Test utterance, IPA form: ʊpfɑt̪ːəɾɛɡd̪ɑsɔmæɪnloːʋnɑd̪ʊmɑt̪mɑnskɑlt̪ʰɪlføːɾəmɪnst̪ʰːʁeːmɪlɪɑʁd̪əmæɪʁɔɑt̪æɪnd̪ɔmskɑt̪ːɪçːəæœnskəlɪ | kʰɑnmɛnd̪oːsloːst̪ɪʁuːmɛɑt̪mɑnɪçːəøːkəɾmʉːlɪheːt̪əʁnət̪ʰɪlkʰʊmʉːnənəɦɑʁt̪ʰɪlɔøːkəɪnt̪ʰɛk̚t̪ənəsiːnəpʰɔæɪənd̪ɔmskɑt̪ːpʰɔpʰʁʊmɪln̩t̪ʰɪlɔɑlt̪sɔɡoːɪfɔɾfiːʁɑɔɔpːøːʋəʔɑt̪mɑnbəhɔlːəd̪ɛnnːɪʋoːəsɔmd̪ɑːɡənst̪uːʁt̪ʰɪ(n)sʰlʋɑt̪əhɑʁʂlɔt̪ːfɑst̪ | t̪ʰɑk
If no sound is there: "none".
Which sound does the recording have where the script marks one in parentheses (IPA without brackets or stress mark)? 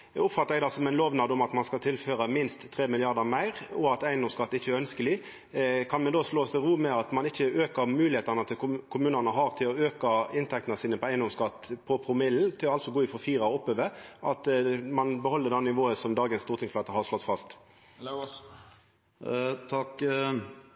ŋ